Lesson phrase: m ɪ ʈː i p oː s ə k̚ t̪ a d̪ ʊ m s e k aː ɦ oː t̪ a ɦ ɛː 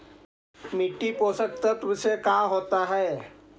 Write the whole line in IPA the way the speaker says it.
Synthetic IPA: m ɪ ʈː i p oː s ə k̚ t̪ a t̪ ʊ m s e k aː ɦ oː t̪ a ɦ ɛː